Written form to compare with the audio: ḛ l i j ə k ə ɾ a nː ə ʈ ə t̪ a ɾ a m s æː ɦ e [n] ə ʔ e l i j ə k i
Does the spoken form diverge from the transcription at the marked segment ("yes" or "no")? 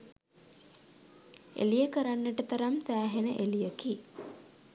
no